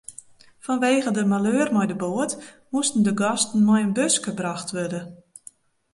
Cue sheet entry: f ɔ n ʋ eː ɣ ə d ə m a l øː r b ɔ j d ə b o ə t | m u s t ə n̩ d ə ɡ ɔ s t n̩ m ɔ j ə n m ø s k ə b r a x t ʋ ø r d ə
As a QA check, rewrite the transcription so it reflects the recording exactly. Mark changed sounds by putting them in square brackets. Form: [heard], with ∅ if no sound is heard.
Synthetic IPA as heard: f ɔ n ʋ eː ɣ ə d ə m a l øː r [m] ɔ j d ə b o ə t | m u s t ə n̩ d ə ɡ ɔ s t n̩ m ɔ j ə n [b] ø s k ə b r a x t ʋ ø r d ə